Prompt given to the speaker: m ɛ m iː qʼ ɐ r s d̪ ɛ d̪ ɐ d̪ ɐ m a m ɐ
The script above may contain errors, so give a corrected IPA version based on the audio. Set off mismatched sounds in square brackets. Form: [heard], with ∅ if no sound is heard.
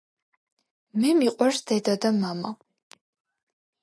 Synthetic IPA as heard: m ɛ m [i] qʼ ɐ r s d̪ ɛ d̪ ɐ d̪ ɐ m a m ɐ

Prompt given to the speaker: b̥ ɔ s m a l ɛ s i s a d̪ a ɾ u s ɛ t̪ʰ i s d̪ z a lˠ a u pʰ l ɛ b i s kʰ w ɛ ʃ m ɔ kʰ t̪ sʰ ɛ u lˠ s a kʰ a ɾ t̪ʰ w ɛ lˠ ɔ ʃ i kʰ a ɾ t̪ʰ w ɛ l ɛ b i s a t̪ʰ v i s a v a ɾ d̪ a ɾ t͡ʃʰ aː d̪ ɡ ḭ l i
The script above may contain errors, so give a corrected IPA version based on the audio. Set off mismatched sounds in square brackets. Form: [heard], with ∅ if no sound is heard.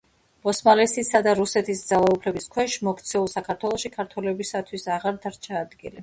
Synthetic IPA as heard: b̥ ɔ s m a l ɛ s i s a d̪ a ɾ u s ɛ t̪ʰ i s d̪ z a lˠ a u pʰ l ɛ b i s kʰ w ɛ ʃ m ɔ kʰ t̪ sʰ ɛ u lˠ s a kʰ a ɾ t̪ʰ w ɛ lˠ ɔ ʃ i kʰ a ɾ t̪ʰ w ɛ l ɛ b i s a t̪ʰ [w] i s a [ʁ] a ɾ d̪ a ɾ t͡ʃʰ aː d̪ ɡ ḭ l i

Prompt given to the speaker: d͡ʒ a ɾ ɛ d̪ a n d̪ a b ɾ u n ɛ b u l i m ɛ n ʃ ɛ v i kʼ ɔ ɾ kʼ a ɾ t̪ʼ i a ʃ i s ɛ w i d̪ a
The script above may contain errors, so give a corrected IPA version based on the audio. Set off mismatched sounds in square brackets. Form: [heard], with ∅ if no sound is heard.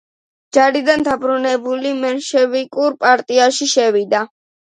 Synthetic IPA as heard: d͡ʒ a ɾ [i] d̪ a n d̪ a b ɾ u n ɛ b u l i m ɛ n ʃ ɛ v i kʼ [u] ɾ [pʼ] a ɾ t̪ʼ i a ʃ i [ʃ] ɛ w i d̪ a

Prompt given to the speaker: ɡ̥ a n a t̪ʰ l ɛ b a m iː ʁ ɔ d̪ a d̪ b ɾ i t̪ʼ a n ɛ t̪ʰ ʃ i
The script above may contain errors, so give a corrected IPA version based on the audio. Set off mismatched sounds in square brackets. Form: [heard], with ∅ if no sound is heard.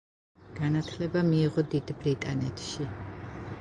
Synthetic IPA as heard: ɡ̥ a n a t̪ʰ l ɛ b a m iː ʁ ɔ d̪ [i] d̪ b ɾ i t̪ʼ a n ɛ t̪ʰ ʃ i

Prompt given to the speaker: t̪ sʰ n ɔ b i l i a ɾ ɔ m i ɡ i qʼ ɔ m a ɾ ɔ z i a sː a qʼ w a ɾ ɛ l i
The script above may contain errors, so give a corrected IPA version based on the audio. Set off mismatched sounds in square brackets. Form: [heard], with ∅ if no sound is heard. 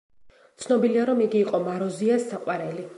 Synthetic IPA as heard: t̪ sʰ n ɔ b i l i a ɾ ɔ m i ɡ [iː] qʼ ɔ m a ɾ ɔ z i a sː a qʼ w a ɾ ɛ l i

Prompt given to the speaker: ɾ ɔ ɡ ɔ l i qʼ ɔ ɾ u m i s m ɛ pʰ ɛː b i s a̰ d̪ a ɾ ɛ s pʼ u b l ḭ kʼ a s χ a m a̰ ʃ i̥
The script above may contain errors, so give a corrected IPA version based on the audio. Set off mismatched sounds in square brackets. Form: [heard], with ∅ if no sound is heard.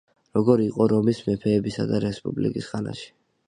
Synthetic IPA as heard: ɾ ɔ ɡ ɔ [ɾ] i qʼ ɔ ɾ [ɔ] m i s m ɛ pʰ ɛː b i s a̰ d̪ a ɾ ɛ s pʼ u b l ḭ kʼ [i] s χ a [n] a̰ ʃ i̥

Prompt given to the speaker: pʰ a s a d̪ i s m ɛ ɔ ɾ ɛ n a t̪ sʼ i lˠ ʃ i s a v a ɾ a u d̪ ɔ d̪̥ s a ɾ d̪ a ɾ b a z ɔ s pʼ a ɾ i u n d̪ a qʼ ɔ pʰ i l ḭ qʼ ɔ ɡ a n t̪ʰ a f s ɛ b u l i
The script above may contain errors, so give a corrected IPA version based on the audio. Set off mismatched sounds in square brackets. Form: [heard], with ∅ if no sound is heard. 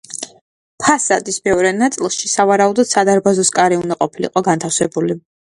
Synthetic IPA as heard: pʰ a s a d̪ i s m ɛ ɔ ɾ ɛ n a t̪ sʼ i lˠ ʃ i s a v a ɾ a u d̪ ɔ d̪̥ s a [∅] d̪ a ɾ b a z ɔ s [kʼ] a ɾ i u n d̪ a qʼ ɔ pʰ i l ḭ qʼ ɔ ɡ a n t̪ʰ a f s ɛ b u l i

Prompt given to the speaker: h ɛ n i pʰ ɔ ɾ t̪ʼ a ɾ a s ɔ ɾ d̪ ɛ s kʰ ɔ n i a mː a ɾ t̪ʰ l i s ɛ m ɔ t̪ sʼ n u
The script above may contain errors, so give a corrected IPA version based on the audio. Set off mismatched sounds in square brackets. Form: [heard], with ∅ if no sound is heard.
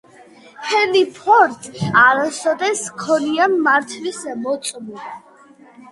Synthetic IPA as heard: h ɛ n i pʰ ɔ ɾ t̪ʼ a ɾ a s ɔ [∅] d̪ ɛ s kʰ ɔ n i a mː a ɾ t̪ʰ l i s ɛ m ɔ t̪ sʼ [m] u

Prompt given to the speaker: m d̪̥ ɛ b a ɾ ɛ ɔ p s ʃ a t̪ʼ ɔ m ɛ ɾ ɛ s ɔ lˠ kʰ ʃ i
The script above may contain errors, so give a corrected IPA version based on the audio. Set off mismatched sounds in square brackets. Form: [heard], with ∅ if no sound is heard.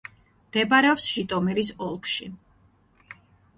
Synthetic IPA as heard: m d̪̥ ɛ b a ɾ ɛ ɔ p s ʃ [i] t̪ʼ ɔ m ɛ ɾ [i] s ɔ lˠ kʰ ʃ i

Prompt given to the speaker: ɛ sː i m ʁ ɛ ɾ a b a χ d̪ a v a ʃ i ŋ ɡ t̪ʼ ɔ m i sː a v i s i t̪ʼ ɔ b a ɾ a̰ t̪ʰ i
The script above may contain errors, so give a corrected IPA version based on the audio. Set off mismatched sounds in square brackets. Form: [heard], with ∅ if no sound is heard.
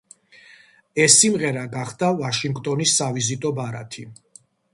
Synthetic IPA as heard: ɛ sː i m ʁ ɛ ɾ a [ɡ] a χ d̪ a v a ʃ i ŋ ɡ t̪ʼ ɔ [n] i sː a v i [z] i t̪ʼ ɔ b a ɾ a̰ t̪ʰ i

